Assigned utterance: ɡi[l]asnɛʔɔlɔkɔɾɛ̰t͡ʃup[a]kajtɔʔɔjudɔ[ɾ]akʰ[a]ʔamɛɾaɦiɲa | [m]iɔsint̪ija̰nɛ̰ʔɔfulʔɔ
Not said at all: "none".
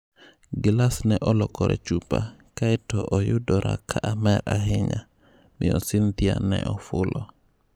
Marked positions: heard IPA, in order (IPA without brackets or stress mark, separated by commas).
l, a, ɾ, a, m